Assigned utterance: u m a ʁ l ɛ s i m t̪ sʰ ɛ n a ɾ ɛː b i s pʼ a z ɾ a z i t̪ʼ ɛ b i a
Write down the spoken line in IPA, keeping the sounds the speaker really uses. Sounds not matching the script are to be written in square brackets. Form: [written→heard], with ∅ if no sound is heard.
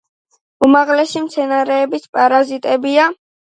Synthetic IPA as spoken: u m a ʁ l ɛ s i m t̪ sʰ ɛ n a ɾ ɛː b i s pʼ a [z→∅] ɾ a z i t̪ʼ ɛ b i a